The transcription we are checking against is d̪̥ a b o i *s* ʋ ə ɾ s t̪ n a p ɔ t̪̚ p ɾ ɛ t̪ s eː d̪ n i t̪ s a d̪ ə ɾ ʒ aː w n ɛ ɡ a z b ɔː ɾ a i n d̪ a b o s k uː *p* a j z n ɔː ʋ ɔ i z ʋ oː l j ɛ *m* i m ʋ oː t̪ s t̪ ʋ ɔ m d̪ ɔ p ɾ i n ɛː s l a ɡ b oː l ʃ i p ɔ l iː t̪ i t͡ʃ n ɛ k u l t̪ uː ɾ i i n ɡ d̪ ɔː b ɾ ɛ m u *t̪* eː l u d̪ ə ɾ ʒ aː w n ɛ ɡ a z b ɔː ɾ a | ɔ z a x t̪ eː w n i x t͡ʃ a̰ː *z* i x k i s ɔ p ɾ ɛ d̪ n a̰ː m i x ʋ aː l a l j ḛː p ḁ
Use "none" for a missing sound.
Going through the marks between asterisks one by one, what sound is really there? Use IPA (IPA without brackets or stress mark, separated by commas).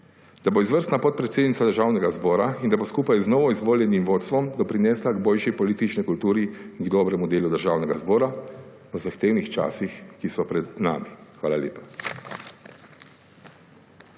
z, p, n, d̪, s